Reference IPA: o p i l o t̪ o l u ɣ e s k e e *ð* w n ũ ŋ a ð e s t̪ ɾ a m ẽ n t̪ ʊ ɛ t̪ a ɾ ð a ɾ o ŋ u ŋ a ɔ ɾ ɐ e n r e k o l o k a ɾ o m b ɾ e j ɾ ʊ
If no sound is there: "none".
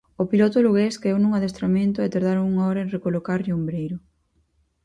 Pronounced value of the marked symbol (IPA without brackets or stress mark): none